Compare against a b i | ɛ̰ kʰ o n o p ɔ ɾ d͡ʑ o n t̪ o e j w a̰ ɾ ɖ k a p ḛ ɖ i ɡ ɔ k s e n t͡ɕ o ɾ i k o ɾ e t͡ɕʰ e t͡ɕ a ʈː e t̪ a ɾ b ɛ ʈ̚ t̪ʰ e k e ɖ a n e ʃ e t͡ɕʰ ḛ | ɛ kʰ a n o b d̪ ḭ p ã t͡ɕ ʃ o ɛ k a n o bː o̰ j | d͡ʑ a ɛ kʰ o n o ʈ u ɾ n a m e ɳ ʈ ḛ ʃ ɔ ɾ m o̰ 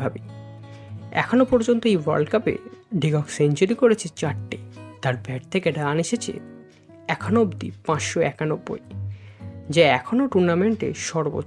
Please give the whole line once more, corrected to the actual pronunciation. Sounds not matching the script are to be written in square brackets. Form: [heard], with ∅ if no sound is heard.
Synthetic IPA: a b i | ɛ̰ kʰ o n o p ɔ ɾ d͡ʑ o n t̪ o e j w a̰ ɾ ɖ k a p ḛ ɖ i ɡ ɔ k s e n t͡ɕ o ɾ i k o ɾ e t͡ɕʰ e t͡ɕ a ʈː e t̪ a ɾ b ɛ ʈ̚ t̪ʰ e k e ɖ a n e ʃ e t͡ɕʰ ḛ | ɛ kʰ a n o b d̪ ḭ p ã t͡ɕ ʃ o ɛ k a n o bː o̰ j | d͡ʑ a ɛ kʰ o n o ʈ u ɾ n a m e ɳ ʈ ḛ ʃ ɔ ɾ [b] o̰